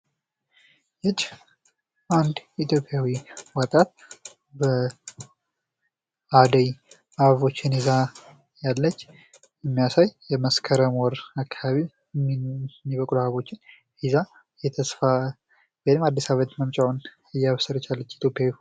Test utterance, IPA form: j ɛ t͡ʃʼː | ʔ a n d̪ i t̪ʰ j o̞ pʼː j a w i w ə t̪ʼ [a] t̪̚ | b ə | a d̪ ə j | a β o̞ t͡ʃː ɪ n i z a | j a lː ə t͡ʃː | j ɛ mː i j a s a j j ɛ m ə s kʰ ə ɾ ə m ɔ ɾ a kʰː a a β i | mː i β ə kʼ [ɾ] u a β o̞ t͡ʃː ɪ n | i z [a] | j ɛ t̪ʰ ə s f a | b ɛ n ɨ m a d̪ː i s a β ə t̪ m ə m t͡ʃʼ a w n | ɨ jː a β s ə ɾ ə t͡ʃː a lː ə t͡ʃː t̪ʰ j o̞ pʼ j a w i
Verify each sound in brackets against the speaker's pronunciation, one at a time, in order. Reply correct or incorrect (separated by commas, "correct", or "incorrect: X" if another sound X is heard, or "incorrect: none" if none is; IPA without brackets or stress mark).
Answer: correct, incorrect: l, correct